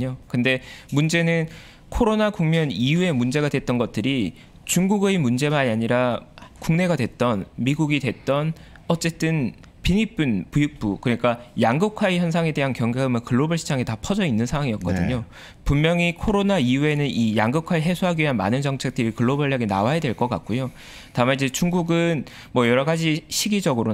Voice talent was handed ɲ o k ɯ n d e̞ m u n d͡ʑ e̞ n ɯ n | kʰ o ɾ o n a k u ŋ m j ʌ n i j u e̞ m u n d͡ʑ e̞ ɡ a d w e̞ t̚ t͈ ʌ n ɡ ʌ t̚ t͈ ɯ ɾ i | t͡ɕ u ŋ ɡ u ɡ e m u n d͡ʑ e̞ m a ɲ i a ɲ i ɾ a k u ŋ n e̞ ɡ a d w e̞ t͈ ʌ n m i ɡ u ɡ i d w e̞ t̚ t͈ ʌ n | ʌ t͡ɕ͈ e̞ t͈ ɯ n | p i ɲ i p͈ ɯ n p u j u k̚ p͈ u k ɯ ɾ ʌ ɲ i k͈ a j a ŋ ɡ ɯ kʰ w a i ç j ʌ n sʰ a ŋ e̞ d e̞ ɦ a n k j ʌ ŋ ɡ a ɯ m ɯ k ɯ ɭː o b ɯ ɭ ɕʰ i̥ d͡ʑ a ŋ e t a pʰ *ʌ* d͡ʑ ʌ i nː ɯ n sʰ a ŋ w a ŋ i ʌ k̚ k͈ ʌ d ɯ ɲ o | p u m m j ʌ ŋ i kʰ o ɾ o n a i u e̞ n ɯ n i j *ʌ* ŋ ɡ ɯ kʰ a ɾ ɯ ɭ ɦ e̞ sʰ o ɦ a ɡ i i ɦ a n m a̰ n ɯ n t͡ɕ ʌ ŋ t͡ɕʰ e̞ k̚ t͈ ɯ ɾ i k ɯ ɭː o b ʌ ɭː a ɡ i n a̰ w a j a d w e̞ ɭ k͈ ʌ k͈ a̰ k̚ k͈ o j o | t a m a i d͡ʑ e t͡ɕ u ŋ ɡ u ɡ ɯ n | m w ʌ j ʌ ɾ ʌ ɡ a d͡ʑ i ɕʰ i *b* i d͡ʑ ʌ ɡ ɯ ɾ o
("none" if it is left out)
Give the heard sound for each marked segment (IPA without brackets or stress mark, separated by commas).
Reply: ʌ, a, ɡ